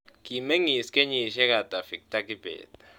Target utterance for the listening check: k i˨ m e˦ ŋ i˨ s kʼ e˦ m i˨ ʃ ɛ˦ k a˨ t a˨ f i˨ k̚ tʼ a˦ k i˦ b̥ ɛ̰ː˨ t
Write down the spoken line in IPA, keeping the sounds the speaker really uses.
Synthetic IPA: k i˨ m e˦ ŋ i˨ s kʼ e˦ ɲ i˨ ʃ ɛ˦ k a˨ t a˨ f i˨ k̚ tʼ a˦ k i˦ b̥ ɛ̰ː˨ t